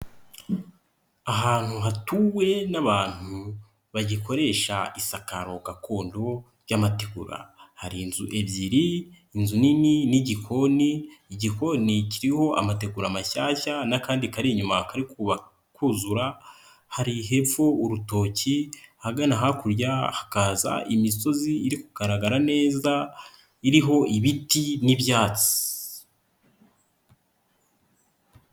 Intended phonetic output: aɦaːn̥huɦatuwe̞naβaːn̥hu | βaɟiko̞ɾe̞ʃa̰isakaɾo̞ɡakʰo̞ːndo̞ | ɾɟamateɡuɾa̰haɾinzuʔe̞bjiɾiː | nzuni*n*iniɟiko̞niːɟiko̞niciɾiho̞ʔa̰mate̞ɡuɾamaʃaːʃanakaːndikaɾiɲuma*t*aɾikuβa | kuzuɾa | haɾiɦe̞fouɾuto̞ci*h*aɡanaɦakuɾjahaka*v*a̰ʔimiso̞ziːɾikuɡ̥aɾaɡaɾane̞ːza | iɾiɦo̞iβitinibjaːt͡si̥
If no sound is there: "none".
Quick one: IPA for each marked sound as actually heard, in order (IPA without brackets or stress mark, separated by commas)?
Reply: n, k, h, z